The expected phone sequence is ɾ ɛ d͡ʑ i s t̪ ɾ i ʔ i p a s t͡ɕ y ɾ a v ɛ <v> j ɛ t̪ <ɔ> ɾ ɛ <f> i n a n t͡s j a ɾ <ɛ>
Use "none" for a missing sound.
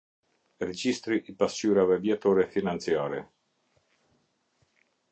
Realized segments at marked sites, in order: v, ɔ, f, ɛ

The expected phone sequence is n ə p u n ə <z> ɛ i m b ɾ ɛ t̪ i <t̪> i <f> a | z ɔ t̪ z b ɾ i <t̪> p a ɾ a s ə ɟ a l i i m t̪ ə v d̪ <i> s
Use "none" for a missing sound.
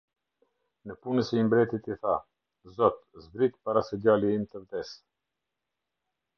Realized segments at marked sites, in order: s, t̪, θ, t̪, ɛ

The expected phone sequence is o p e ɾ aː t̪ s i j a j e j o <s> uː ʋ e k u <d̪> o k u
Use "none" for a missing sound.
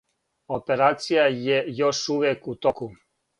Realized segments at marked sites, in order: ʃ, t̪

